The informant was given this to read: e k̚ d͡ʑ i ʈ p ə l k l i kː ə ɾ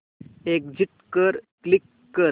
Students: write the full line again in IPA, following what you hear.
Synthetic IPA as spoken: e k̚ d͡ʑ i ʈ k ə ɾ k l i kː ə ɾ